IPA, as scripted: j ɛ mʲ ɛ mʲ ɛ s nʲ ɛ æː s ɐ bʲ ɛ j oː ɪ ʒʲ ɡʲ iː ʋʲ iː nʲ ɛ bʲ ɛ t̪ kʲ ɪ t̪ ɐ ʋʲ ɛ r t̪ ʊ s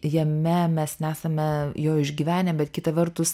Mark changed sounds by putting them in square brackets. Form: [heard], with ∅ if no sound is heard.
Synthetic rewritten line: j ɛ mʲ ɛ mʲ ɛ s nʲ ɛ æː s ɐ [mʲ] ɛ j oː ɪ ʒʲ ɡʲ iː ʋʲ [æː] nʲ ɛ bʲ ɛ t̪ kʲ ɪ t̪ ɐ ʋʲ ɛ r t̪ ʊ s